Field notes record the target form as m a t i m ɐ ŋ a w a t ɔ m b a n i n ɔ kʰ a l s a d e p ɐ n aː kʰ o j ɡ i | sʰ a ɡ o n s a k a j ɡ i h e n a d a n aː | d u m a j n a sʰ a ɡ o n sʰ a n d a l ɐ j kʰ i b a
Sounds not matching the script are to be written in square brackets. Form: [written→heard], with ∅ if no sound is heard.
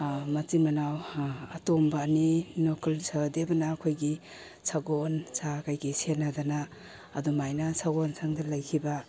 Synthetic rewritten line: m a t i m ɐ [ŋ→n] a w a t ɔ m b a n i n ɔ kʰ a l s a d e [p→b] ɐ n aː kʰ o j ɡ i | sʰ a ɡ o n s a k a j ɡ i [h→s] e n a d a n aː | d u m a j n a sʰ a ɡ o n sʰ a [n→ŋ] d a l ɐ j kʰ i b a